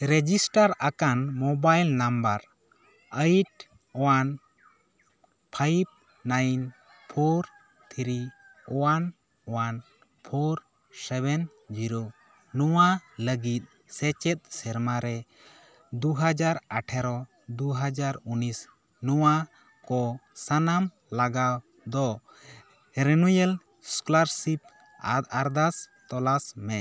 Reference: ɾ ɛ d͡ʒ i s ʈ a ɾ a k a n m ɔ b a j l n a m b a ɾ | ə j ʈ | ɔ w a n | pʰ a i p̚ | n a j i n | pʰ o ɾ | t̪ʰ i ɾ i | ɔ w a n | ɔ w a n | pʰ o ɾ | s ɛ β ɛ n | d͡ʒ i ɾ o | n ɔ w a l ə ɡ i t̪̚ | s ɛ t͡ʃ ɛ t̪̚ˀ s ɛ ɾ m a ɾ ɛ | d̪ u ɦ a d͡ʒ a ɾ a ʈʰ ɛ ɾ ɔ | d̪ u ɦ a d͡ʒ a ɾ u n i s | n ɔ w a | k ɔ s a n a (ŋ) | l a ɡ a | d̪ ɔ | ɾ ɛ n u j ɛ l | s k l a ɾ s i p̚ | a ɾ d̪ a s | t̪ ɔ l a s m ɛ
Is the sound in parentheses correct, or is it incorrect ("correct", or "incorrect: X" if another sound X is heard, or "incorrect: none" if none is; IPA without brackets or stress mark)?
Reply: incorrect: m